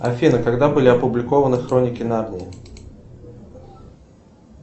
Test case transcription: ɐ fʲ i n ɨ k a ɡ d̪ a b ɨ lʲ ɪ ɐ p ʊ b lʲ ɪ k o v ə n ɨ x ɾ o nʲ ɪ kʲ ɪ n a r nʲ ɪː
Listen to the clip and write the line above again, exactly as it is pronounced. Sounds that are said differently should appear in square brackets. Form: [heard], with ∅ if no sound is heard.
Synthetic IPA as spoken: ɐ fʲ i n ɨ k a ɡ d̪ a b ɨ lʲ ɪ ɐ p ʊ b lʲ ɪ k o v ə n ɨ x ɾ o nʲ ɪ kʲ ɪ n a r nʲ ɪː